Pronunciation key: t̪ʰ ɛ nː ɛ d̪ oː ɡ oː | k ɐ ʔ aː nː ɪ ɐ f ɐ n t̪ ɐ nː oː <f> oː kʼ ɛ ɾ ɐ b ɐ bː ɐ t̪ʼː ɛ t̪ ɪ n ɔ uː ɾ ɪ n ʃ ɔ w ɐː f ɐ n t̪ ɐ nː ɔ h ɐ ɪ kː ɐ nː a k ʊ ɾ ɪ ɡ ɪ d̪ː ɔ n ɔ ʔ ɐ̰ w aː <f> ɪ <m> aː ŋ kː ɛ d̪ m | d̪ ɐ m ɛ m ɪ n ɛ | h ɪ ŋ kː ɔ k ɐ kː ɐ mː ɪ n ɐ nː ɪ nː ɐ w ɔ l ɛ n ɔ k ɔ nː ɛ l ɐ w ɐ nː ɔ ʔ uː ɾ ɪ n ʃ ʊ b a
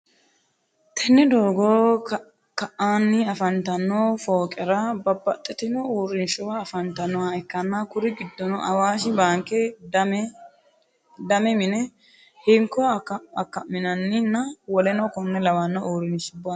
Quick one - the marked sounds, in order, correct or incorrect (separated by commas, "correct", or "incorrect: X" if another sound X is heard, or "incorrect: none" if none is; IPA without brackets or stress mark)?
correct, incorrect: ʃ, incorrect: b